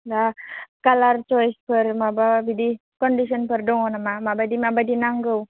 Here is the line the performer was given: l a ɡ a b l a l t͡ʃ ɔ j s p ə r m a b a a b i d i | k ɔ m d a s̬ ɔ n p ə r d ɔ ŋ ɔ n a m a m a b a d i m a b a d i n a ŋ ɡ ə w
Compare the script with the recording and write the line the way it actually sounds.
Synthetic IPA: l a k a l a r t͡ʃ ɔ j s p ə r m a b a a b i d i | k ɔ n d i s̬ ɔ n p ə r d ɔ ŋ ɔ n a m a m a b a d i m a b a d i n a ŋ ɡ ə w